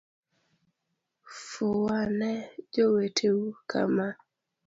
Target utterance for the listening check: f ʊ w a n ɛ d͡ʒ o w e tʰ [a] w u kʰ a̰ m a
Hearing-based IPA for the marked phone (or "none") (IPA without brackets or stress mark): e